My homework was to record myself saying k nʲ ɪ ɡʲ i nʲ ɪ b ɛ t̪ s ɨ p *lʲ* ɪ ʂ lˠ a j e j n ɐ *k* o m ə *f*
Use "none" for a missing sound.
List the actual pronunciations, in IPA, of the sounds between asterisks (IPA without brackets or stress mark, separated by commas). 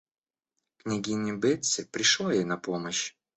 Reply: ɾʲ, p, ɕ